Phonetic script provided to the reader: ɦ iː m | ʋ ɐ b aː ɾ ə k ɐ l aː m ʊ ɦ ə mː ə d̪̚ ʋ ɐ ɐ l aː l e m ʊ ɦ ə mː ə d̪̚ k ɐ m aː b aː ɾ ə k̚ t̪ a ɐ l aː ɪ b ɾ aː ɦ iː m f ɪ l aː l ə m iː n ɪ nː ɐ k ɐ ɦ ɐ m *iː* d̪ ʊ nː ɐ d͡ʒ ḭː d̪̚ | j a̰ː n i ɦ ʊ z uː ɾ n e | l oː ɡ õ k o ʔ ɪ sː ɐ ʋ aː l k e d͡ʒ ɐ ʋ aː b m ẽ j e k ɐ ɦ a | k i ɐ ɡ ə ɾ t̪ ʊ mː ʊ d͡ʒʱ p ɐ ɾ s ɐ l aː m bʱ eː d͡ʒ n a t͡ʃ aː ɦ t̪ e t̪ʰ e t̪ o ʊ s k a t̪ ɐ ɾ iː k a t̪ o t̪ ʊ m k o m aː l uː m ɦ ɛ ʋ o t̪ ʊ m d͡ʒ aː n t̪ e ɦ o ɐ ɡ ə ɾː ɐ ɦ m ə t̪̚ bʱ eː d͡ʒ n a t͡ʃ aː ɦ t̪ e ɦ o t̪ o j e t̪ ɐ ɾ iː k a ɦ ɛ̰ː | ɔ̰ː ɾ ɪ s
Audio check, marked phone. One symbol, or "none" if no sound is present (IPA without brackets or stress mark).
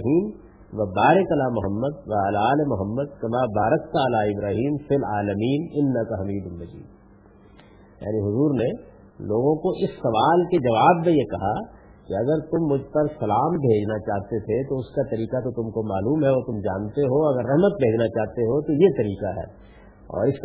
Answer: iː